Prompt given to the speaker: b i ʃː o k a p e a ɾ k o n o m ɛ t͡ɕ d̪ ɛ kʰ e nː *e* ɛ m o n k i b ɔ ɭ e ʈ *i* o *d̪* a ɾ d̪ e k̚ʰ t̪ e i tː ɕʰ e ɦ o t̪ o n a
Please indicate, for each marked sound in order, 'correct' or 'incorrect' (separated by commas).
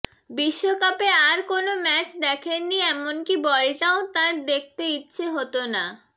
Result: incorrect, incorrect, incorrect